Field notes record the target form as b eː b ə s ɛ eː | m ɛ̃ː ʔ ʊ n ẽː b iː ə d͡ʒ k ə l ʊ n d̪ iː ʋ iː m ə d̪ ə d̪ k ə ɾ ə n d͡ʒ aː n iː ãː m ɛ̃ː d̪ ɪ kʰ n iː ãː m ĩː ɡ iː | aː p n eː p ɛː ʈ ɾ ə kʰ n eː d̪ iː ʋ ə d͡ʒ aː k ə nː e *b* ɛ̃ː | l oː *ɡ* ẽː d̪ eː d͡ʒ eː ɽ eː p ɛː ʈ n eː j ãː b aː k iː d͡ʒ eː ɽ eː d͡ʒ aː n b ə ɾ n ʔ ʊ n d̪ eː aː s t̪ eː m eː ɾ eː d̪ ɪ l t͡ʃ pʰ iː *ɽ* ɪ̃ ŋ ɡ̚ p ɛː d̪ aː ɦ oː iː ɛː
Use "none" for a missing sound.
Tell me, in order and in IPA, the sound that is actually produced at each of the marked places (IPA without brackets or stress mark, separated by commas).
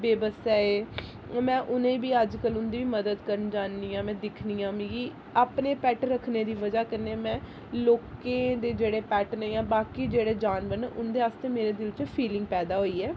m, k, l